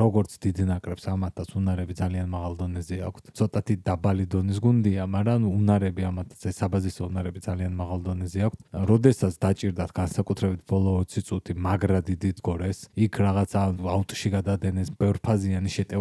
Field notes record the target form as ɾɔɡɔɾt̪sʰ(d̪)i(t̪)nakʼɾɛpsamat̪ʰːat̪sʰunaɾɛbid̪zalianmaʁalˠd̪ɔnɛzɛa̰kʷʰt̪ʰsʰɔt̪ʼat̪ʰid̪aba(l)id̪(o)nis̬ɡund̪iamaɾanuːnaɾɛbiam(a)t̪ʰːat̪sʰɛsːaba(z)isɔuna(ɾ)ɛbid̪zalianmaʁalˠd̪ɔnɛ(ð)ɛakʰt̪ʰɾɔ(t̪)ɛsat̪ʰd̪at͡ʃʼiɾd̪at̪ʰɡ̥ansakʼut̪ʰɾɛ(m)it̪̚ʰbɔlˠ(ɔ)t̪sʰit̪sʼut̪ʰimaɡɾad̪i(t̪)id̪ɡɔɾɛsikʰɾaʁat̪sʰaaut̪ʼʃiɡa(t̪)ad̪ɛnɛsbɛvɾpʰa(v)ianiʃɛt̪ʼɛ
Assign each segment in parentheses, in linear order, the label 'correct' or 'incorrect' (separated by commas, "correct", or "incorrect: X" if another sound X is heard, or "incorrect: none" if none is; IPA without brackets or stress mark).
correct, incorrect: d̪, correct, incorrect: ɔ, correct, correct, correct, incorrect: z, incorrect: d̪, incorrect: b, incorrect: ɔː, incorrect: d̪, incorrect: d̪, incorrect: z